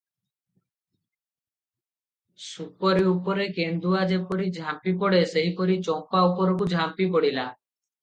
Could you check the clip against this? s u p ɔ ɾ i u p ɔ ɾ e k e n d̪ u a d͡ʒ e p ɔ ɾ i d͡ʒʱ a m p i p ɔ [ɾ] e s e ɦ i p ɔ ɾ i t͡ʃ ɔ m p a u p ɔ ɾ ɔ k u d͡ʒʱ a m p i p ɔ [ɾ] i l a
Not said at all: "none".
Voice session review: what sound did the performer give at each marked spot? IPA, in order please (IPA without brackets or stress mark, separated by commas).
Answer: ɽ, ɽ